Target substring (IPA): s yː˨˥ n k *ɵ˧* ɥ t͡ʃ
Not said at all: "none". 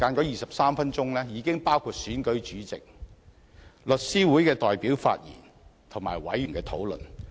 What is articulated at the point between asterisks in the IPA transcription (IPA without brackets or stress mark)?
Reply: ɵ˨˥